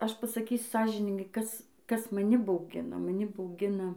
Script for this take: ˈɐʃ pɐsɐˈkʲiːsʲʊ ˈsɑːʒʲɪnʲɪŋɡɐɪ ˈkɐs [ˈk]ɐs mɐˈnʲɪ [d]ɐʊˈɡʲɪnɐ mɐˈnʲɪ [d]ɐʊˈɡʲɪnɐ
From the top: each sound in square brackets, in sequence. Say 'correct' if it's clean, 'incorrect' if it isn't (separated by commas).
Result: correct, incorrect, incorrect